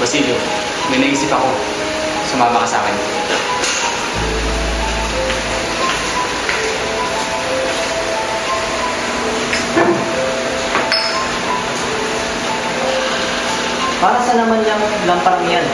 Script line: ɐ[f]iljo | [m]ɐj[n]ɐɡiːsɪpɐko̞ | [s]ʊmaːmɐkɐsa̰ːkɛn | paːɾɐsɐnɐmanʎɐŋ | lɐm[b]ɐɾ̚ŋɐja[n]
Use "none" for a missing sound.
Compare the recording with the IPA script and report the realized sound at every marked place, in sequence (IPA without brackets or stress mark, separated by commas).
s, m, n, s, p, n